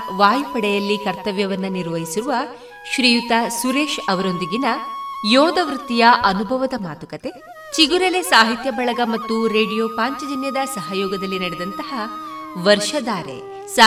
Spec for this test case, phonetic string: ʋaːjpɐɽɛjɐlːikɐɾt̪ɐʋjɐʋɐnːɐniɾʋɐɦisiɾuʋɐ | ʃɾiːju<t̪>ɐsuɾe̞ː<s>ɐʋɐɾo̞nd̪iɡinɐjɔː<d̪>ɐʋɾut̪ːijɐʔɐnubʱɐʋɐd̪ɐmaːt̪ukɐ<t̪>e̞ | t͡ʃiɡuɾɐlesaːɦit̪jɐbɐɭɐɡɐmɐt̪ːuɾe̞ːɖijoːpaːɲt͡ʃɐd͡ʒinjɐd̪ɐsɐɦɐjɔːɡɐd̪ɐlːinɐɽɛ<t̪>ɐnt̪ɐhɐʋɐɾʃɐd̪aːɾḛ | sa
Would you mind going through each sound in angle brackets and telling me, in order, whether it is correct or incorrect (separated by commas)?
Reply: correct, incorrect, correct, correct, incorrect